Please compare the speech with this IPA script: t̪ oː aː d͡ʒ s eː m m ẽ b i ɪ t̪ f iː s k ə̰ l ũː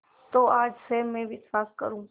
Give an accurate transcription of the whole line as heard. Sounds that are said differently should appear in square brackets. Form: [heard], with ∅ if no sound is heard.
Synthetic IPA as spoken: t̪ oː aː d͡ʒ s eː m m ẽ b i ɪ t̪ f [aː] s k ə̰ [ɾ] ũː